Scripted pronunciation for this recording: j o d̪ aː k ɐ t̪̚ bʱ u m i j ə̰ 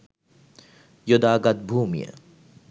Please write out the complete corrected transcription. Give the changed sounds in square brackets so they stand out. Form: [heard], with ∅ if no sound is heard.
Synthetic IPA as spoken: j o d̪ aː [ɡ] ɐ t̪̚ bʱ [uː] m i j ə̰